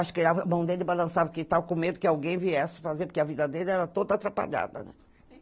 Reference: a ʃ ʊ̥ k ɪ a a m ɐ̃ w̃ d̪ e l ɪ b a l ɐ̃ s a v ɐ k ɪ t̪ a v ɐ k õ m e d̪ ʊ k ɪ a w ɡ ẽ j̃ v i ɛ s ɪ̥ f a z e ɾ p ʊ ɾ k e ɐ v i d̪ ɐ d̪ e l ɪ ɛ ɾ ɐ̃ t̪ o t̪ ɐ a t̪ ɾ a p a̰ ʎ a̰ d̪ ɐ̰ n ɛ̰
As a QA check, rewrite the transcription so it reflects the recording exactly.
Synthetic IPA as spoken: a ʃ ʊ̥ k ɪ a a m ɐ̃ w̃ d̪ e l ɪ b a l ɐ̃ s a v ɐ k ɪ t̪ a v ɐ k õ m e d̪ ʊ k ɪ a w ɡ ẽ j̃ v i ɛ s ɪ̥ f a z e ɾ p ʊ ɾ k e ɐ v i d̪ ɐ d̪ e l ɪ ɛ ɾ ɐ t̪ o d̪ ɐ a t̪ ɾ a p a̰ ʎ a̰ d̪ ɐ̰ n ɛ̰